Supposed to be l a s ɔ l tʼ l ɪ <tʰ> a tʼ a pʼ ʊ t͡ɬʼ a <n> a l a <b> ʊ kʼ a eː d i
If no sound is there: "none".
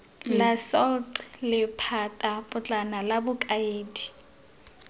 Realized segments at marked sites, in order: pʰ, n, b

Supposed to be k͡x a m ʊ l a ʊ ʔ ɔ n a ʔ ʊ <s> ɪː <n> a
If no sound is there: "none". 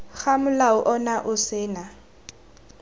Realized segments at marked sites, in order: s, n

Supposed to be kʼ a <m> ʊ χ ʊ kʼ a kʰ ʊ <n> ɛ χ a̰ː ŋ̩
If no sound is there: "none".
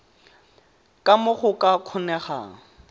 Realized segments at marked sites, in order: m, n

